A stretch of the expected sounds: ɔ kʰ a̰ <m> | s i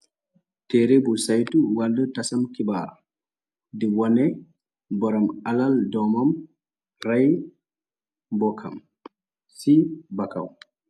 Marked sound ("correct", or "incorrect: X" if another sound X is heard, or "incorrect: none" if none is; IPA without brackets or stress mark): correct